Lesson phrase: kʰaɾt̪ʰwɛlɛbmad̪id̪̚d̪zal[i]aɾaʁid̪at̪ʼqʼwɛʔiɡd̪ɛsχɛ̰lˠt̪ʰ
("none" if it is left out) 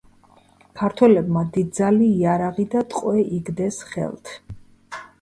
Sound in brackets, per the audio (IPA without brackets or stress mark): iː